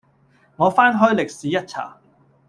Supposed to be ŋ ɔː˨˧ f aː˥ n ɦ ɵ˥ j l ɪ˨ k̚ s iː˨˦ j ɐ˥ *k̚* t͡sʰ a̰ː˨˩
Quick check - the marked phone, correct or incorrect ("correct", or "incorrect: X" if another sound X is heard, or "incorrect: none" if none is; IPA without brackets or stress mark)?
incorrect: t̚